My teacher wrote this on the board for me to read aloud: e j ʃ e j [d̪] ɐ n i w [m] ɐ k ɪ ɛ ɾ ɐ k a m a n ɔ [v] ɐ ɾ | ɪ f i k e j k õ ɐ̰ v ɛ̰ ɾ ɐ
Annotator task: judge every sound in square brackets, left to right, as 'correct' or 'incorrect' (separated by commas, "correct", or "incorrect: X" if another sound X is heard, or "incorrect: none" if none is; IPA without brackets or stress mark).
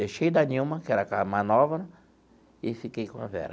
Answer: correct, correct, correct